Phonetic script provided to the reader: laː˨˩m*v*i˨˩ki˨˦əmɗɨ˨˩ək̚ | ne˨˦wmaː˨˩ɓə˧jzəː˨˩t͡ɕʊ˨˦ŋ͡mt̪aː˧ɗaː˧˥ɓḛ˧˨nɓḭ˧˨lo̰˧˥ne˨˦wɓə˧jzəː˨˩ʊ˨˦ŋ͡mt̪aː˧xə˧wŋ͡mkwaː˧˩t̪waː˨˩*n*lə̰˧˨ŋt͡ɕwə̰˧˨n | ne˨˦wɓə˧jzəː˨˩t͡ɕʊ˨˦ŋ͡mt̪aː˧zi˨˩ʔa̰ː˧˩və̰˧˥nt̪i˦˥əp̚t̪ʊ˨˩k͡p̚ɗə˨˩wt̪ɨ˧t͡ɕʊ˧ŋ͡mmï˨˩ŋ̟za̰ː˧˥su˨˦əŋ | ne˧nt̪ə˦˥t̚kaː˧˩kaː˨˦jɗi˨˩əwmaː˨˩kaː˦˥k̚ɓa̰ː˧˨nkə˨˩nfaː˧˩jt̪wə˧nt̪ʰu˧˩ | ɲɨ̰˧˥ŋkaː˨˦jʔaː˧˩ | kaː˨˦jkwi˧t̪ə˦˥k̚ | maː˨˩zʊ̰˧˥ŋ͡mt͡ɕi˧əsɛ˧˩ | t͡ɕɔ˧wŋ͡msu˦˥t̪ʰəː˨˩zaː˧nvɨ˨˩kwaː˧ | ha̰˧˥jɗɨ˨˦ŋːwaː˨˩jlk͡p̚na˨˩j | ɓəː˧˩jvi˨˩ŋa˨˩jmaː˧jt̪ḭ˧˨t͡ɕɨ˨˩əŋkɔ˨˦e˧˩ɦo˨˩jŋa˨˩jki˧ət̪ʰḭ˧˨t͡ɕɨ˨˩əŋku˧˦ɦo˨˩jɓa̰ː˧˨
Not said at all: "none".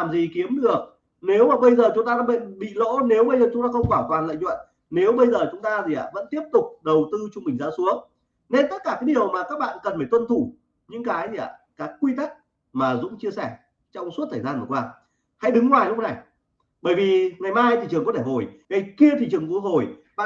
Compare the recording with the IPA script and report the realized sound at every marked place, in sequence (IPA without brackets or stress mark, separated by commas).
z, n